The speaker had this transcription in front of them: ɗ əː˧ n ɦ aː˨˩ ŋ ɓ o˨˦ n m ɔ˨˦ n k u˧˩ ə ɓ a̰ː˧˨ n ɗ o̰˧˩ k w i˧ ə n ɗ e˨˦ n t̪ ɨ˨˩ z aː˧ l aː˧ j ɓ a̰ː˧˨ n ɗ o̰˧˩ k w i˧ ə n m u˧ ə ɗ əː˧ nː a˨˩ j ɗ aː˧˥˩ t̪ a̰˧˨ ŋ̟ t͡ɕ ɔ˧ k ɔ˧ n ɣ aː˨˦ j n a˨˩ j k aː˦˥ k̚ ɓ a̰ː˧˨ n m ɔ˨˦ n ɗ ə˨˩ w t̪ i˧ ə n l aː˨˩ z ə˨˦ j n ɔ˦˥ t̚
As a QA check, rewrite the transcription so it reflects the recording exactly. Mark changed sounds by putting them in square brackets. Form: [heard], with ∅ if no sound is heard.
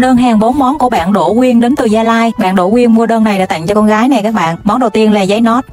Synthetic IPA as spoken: ɗ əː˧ n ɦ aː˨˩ ŋ ɓ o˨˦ n m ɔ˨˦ n k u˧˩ ə ɓ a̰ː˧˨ n ɗ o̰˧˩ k w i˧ ə n ɗ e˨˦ n t̪ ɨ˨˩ z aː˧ l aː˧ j ɓ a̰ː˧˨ n ɗ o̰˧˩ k w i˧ ə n m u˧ ə ɗ əː˧ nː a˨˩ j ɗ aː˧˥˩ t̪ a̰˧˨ ŋ̟ t͡ɕ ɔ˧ k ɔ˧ n ɣ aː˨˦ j n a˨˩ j k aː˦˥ k̚ ɓ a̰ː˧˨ n m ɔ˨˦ n ɗ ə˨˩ w t̪ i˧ ə n l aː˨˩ z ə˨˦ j n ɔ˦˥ t̚

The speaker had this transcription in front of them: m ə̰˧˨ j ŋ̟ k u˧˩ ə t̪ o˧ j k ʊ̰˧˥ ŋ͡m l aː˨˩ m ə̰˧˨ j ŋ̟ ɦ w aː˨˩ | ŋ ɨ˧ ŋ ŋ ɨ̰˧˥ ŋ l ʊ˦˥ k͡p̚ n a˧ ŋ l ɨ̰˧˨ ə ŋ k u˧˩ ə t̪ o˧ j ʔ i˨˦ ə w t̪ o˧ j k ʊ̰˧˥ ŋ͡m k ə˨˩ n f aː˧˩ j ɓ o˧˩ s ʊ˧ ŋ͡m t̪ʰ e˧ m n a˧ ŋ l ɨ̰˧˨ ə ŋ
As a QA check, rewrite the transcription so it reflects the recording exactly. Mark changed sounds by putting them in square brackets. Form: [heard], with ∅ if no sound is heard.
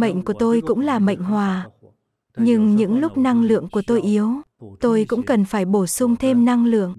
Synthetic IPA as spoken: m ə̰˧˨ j ŋ̟ k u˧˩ ə t̪ o˧ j k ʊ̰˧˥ ŋ͡m l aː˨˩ m ə̰˧˨ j ŋ̟ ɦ w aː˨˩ | [ɲ] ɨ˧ ŋ [ɲ] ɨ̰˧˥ ŋ l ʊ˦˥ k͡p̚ n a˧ ŋ l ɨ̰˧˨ ə ŋ k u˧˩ ə t̪ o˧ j ʔ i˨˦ ə w t̪ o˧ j k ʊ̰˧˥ ŋ͡m k ə˨˩ n f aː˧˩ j ɓ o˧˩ s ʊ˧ ŋ͡m t̪ʰ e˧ m n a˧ ŋ l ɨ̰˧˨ ə ŋ

